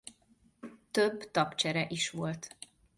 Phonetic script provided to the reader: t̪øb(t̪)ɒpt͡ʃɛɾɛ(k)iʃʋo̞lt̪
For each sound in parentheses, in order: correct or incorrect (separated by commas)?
correct, incorrect